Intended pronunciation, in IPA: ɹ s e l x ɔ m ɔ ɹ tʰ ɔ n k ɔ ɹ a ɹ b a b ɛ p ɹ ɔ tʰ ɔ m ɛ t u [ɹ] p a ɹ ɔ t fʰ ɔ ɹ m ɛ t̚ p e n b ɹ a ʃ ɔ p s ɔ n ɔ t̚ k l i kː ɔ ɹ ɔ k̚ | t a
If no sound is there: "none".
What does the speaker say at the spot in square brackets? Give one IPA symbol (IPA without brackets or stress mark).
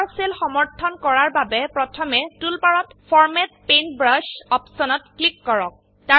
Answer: l